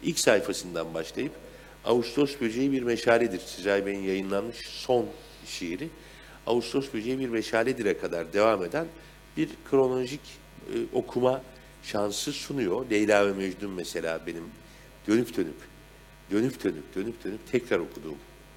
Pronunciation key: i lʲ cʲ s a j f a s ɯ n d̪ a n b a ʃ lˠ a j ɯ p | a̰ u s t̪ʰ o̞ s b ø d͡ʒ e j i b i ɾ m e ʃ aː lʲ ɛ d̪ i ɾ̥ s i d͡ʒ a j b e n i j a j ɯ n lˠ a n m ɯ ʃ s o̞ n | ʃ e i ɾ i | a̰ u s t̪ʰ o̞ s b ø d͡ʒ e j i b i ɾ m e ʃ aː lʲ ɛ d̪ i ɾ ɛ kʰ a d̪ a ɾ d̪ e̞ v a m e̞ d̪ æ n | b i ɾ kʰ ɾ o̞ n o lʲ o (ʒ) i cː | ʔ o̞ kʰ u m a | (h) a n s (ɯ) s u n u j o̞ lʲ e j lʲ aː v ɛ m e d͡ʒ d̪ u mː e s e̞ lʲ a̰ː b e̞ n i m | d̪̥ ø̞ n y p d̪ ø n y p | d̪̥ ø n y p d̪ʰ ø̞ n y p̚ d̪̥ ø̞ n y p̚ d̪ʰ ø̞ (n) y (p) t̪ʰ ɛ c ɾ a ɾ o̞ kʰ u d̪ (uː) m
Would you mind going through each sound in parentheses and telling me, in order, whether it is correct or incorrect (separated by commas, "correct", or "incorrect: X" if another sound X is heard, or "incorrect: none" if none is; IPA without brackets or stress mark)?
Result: correct, incorrect: ʃ, correct, correct, correct, correct